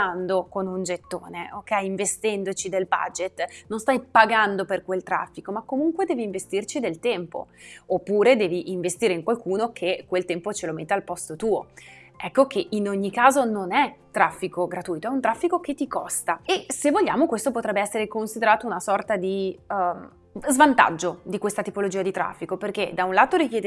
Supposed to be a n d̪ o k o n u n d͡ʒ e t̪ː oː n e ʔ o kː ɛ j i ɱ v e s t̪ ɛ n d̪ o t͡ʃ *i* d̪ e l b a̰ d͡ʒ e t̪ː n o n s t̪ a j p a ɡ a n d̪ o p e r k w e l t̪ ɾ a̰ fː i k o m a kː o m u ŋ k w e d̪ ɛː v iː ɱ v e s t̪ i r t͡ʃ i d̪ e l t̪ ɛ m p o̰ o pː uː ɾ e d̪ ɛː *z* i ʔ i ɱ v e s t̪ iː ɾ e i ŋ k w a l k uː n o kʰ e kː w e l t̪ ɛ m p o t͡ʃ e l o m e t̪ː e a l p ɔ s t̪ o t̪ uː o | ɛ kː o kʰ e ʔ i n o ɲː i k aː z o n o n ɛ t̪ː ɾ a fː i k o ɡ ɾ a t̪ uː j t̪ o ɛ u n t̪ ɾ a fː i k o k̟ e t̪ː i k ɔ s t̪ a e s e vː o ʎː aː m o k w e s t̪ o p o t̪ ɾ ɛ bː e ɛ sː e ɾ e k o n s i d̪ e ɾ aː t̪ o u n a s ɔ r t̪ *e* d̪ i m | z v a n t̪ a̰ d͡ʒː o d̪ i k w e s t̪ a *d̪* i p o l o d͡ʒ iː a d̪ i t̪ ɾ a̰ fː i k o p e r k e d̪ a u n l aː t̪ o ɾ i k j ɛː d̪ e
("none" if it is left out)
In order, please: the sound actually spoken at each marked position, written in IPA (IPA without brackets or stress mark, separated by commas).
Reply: i, v, a, t̪